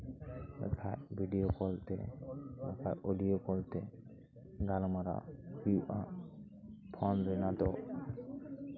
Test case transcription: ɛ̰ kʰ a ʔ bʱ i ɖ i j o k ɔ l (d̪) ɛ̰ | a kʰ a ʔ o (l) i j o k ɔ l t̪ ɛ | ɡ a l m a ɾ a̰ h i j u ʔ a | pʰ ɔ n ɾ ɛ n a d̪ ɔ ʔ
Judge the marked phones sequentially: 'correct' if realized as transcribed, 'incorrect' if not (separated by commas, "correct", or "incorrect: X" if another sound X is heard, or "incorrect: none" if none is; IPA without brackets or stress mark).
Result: incorrect: t̪, correct